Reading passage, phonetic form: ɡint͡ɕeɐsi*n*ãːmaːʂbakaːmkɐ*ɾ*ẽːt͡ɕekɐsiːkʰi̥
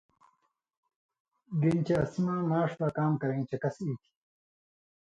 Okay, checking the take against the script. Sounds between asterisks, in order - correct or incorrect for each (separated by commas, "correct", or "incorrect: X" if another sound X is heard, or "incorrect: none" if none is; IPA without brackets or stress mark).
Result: incorrect: m, correct